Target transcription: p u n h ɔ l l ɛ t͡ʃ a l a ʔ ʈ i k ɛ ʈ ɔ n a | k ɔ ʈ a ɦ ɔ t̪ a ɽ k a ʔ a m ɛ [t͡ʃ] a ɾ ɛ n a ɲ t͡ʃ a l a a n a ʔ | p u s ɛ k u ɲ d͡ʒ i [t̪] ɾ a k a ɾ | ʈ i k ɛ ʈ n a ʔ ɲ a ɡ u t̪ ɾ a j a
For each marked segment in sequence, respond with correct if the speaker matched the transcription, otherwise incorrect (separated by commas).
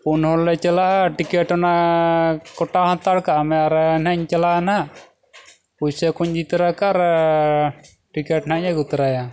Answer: incorrect, correct